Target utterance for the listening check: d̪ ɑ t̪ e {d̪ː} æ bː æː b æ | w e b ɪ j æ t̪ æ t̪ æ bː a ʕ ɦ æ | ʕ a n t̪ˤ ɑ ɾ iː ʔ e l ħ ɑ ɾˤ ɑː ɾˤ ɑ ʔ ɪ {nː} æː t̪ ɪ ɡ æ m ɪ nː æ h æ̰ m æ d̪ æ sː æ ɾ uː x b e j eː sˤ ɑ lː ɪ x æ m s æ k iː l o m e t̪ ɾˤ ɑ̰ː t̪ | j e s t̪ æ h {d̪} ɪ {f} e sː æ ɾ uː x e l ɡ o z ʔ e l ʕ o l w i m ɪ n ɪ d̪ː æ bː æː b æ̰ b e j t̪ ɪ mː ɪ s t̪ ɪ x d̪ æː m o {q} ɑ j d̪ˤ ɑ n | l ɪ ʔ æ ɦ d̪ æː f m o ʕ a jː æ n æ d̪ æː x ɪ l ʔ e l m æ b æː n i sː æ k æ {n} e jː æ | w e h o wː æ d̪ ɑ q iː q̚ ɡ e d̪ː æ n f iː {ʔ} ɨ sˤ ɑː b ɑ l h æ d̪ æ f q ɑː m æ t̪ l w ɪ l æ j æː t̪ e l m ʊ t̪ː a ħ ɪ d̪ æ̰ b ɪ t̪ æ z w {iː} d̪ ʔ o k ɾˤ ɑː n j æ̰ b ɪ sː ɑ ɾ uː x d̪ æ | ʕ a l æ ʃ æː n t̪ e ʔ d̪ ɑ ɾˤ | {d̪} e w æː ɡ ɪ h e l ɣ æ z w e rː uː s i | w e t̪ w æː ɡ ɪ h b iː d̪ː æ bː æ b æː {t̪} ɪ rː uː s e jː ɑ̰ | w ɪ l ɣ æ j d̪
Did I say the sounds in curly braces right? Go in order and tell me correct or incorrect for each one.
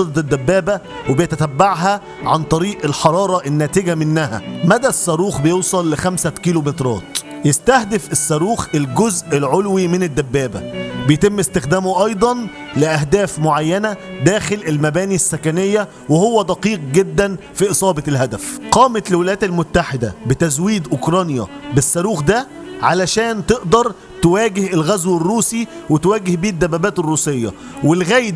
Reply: correct, correct, correct, correct, incorrect: ʔ, correct, correct, correct, incorrect: t̪, correct

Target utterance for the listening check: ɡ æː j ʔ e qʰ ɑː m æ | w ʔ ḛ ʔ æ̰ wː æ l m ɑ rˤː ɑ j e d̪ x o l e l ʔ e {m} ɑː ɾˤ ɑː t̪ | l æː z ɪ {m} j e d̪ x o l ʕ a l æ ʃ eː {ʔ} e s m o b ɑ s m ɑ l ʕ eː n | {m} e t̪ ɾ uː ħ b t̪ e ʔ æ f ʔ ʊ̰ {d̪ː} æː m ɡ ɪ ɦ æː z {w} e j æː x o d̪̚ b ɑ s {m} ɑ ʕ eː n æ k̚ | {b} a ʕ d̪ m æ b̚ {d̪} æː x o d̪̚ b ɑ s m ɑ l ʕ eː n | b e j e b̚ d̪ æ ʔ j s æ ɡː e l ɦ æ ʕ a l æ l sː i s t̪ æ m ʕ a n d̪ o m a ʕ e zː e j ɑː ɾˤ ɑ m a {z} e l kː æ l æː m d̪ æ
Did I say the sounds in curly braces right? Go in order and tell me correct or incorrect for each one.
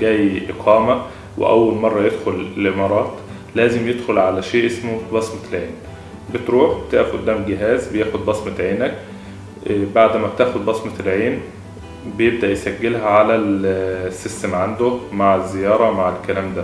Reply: correct, correct, correct, incorrect: b, correct, incorrect: b, correct, correct, incorrect: t̪, incorrect: ʕ

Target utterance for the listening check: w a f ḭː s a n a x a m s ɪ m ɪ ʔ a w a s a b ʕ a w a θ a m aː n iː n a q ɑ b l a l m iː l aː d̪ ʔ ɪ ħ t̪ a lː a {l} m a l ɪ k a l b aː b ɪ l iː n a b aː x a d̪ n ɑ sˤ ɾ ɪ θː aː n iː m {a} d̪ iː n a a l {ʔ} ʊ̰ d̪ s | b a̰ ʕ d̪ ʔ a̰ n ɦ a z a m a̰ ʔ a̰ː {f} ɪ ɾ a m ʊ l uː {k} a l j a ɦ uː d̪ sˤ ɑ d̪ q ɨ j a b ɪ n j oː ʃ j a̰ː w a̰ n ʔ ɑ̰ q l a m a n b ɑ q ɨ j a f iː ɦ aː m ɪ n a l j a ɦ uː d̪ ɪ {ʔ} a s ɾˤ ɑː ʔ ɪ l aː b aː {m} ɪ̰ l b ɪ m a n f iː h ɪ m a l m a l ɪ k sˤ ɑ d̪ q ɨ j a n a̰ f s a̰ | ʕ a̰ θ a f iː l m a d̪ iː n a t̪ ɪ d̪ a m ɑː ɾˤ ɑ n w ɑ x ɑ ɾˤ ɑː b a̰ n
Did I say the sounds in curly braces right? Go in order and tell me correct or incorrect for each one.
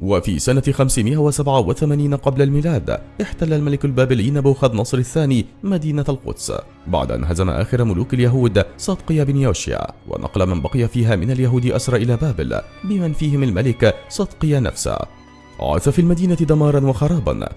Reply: correct, correct, incorrect: q, incorrect: x, correct, correct, incorrect: b

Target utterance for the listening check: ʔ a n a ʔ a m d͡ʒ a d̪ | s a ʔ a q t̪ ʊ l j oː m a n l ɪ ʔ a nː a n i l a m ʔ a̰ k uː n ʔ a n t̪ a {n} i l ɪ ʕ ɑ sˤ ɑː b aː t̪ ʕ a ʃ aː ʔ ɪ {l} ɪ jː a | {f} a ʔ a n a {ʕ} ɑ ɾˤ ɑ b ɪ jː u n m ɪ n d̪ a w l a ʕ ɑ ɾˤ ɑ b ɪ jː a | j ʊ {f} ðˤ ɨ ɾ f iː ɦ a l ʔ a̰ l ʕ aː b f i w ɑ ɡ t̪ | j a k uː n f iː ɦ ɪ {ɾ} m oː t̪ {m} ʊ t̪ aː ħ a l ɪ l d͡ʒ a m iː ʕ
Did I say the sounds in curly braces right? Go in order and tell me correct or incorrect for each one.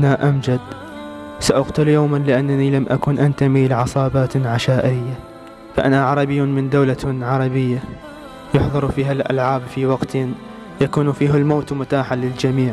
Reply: incorrect: m, incorrect: ɾ, correct, correct, incorrect: ħ, incorrect: l, correct

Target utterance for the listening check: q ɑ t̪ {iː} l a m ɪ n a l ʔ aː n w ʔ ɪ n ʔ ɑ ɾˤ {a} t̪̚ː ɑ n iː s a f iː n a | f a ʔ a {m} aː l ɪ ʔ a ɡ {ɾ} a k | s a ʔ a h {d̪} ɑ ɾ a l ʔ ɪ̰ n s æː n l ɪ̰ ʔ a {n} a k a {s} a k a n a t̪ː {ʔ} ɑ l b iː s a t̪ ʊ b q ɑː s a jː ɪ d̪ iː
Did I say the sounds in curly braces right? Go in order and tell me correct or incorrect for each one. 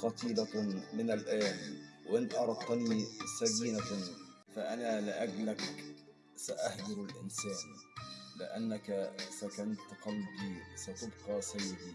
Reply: correct, incorrect: ɑ, incorrect: n, incorrect: l, correct, incorrect: nː, correct, incorrect: q

